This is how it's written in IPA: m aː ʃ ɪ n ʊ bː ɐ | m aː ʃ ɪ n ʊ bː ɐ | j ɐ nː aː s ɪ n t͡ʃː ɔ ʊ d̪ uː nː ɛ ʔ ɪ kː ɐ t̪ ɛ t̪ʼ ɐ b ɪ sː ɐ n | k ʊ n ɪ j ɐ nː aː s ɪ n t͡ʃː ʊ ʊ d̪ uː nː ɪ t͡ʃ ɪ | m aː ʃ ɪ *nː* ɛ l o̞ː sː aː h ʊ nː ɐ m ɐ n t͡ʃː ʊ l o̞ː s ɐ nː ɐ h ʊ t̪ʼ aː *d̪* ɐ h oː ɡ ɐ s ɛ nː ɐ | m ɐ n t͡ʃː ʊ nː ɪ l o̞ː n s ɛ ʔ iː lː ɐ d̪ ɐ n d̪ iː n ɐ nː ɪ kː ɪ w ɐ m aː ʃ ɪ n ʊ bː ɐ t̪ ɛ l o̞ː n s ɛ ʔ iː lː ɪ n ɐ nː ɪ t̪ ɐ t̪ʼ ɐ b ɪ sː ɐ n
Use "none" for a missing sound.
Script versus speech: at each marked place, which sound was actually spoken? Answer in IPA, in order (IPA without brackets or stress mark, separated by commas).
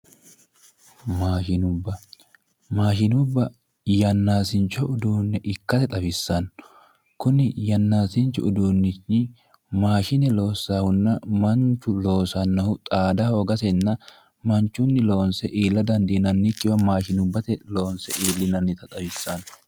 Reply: n, d̪